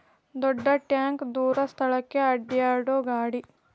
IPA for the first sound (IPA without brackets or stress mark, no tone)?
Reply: d̪